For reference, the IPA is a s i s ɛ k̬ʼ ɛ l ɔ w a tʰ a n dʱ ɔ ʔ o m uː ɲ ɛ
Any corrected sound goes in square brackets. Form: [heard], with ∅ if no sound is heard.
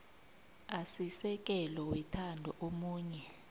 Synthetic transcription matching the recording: a s i s ɛ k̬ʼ ɛ l ɔ w [ɛ] tʰ a n dʱ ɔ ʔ o m uː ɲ ɛ

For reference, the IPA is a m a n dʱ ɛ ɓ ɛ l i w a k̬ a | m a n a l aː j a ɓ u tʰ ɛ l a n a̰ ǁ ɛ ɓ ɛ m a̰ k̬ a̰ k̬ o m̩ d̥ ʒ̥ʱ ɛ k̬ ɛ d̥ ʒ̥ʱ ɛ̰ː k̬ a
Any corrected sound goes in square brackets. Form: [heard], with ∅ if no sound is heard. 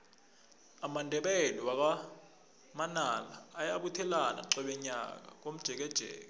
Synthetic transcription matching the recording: a m a n dʱ ɛ ɓ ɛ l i w a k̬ a | m a n a l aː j a ɓ u tʰ ɛ l a n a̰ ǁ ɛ ɓ ɛ [ɲ] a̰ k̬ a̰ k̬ o m̩ d̥ ʒ̥ʱ ɛ k̬ ɛ d̥ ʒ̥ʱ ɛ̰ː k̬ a

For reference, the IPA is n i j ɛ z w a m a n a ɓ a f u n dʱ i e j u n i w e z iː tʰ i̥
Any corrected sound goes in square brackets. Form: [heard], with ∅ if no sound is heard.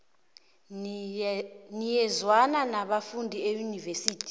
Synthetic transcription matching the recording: n i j ɛ z w a [n] a n a ɓ a f u n dʱ i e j u n i [v] e [s] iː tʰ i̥

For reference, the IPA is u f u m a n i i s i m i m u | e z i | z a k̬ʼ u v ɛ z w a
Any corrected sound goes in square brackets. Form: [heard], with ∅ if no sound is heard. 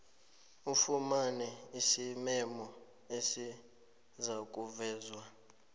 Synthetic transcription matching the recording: u f u m a n [ɛ] i s i m [ɛ] m [ɔ] | e [s] i | z a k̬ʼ u v [ɛː] z w a

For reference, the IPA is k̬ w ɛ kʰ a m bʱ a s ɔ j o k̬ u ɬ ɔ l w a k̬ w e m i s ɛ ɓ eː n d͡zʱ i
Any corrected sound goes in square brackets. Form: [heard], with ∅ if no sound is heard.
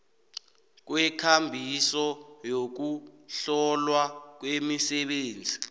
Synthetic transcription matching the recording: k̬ w ɛ kʰ a m bʱ [i] s ɔ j o k̬ u ɬ ɔ l w a k̬ w e m i s ɛ ɓ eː n d͡zʱ i

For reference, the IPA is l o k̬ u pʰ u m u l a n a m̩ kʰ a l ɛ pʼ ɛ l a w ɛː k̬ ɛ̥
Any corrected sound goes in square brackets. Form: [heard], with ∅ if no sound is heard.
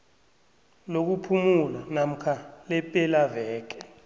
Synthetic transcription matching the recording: l o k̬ u pʰ u m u l a n a m̩ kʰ a l ɛ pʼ ɛ l a [v] ɛː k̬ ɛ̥

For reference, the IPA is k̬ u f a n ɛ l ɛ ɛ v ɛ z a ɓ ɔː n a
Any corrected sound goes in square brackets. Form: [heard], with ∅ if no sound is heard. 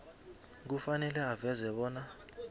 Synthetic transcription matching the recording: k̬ u f a n ɛ l ɛ [a] v ɛ z [ɛ] ɓ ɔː n a

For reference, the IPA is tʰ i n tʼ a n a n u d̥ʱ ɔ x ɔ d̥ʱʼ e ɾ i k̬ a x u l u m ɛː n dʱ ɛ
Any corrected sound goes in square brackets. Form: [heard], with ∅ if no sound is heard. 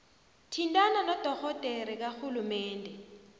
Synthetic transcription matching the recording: tʰ i n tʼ a n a n [ɔ] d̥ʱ ɔ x ɔ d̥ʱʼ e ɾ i k̬ a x u l u m ɛː n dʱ ɛ

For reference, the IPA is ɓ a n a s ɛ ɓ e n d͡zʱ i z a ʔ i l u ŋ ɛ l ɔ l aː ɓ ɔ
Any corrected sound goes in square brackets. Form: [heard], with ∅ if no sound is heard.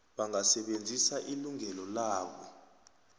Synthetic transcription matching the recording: ɓ a [ŋ] a s ɛ ɓ e n d͡zʱ i [s] a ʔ i l u ŋ ɛ l ɔ l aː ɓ ɔ

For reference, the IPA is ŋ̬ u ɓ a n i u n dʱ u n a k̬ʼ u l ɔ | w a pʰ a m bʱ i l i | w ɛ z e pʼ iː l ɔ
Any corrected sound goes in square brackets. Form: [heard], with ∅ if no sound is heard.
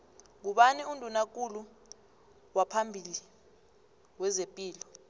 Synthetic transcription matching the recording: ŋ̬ u ɓ a n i u n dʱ u n a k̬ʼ u l [u] | w a pʰ a m bʱ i l i | w ɛ z e pʼ iː l ɔ

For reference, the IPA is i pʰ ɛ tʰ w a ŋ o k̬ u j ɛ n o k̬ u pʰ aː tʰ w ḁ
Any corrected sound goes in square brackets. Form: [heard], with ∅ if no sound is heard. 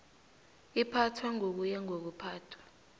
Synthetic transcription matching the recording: i pʰ [a] tʰ w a ŋ o k̬ u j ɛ [ŋ] o k̬ u pʰ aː tʰ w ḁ

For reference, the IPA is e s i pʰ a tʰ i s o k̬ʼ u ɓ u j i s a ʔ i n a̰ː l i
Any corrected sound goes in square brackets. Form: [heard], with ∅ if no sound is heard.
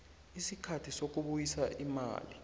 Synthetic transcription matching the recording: [i] s i [kʰ] a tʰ i s o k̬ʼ u ɓ u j i s a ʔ i [m] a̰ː l i

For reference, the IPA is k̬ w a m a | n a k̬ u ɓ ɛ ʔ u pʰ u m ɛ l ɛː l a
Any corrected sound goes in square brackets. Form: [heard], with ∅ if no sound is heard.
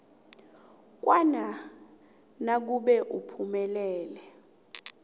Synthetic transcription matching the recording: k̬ w a [n] a | n a k̬ u ɓ ɛ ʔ u pʰ u m ɛ l ɛː l [ɛ]

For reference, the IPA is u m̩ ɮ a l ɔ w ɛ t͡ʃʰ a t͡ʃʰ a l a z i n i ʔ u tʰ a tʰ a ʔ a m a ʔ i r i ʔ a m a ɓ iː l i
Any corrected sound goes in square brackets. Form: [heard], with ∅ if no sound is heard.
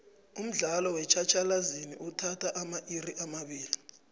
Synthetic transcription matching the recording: u m̩ ɮ a l ɔ w ɛ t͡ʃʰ a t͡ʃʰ a l a z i n i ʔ u tʰ a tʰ a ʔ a m a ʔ i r i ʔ a m a ɓ iː l i

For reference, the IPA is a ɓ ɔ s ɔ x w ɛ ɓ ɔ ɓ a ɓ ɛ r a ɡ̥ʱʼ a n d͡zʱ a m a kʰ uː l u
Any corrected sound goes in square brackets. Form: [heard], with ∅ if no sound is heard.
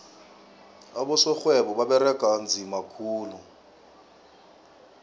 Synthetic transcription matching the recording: a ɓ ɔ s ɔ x w ɛ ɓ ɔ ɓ a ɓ ɛ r [ɛ] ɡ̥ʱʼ a n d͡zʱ [i] m a kʰ uː l u

